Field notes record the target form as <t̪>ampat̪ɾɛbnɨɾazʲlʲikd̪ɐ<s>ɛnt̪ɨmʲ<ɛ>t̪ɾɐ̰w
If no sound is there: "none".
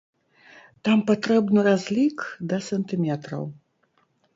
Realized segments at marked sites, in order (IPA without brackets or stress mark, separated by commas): t̪, s, ɛ